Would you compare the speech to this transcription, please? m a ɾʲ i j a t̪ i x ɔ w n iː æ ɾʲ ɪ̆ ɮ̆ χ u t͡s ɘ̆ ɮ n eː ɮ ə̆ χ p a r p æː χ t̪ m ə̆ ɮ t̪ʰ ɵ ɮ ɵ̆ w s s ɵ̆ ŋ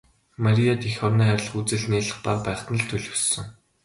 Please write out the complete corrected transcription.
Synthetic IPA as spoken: m a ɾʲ i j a t̪ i x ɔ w n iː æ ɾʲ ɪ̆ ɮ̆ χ u t͡s ɘ̆ ɮ n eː ɮ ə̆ χ p a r p æː χ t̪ n ə̆ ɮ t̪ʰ ɵ ɮ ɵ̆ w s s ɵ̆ ŋ